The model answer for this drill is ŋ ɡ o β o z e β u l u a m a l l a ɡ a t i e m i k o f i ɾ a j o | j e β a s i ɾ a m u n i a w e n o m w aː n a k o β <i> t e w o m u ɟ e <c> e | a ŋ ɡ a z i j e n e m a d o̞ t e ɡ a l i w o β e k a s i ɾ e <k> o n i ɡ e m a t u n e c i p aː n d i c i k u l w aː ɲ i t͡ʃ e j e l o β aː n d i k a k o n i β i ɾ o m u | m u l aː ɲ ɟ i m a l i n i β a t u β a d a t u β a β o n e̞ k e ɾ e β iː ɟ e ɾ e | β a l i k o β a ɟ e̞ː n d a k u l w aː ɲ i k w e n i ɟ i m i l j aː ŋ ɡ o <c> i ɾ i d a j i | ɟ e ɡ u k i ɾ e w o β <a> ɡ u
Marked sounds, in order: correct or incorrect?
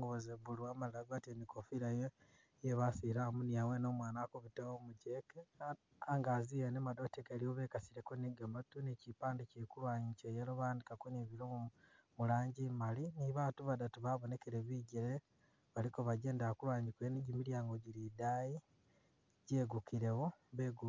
correct, incorrect, correct, incorrect, incorrect

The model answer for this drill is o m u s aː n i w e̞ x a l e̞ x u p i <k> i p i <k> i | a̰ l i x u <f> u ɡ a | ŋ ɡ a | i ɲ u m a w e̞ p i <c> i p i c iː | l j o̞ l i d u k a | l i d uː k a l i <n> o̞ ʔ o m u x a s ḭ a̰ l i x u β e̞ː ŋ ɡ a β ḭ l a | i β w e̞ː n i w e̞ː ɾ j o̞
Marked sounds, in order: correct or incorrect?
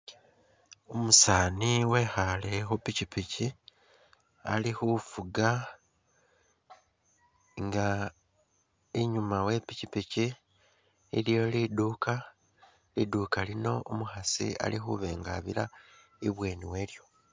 incorrect, incorrect, correct, correct, correct

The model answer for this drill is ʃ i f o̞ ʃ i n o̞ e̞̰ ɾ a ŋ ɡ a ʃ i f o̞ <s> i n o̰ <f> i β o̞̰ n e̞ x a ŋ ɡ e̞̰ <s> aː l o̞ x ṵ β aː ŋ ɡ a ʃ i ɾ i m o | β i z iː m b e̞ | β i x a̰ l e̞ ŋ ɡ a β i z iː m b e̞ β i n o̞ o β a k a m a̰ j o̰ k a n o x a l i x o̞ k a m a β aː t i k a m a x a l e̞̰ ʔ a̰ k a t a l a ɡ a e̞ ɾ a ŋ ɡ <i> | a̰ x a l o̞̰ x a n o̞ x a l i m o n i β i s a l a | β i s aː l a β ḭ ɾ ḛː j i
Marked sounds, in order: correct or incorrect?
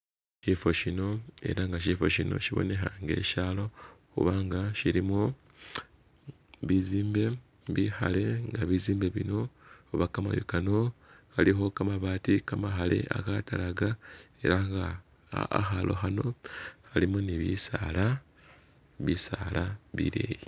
incorrect, incorrect, incorrect, incorrect

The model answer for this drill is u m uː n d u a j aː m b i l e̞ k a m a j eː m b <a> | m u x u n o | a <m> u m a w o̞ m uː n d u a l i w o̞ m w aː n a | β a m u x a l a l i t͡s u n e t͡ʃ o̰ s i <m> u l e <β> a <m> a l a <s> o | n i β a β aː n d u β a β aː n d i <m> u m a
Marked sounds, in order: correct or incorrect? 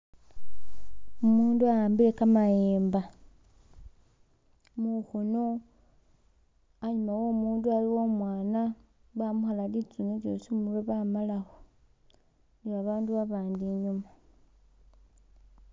correct, incorrect, correct, correct, correct, incorrect, incorrect

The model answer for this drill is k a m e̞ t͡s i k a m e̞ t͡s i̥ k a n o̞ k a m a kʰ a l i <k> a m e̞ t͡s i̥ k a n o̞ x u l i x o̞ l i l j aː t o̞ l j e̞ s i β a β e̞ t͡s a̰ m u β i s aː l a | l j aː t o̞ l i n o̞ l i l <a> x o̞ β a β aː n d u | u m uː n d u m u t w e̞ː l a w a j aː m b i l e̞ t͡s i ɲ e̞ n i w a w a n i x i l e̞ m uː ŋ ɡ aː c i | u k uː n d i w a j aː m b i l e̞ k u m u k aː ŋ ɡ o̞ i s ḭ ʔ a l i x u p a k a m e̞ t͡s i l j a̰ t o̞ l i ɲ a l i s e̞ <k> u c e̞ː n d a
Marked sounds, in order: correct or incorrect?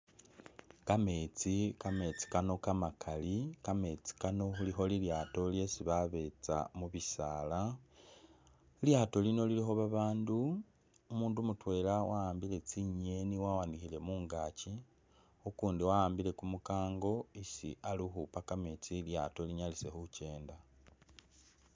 correct, incorrect, incorrect

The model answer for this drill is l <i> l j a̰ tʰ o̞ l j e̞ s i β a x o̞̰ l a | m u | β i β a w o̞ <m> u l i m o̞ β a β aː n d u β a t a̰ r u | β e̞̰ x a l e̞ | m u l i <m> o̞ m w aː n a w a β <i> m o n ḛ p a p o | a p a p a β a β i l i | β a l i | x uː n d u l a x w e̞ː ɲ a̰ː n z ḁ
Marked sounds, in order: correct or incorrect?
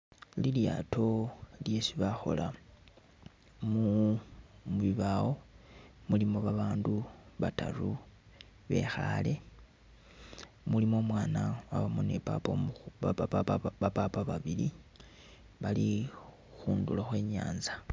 correct, correct, correct, incorrect

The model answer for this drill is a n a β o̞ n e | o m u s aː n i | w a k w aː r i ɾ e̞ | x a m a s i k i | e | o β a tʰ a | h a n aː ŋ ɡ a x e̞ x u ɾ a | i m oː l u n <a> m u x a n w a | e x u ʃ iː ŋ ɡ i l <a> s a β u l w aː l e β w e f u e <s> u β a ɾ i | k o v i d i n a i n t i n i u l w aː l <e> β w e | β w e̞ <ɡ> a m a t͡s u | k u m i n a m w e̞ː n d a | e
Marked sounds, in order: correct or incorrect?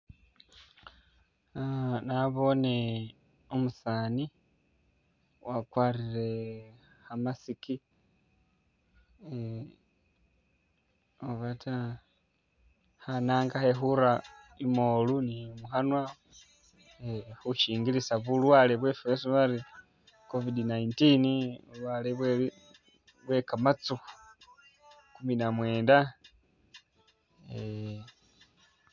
incorrect, incorrect, correct, correct, incorrect

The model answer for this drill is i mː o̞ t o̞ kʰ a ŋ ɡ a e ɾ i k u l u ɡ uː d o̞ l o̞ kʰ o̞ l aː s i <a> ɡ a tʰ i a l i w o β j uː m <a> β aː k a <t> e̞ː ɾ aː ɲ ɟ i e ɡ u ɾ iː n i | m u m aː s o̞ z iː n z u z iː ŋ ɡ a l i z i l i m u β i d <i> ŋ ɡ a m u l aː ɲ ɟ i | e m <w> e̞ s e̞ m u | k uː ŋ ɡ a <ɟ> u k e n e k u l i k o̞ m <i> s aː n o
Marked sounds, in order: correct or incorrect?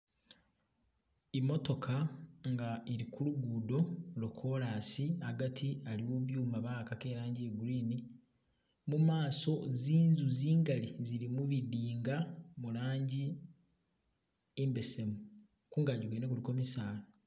correct, correct, incorrect, incorrect, incorrect, correct, correct

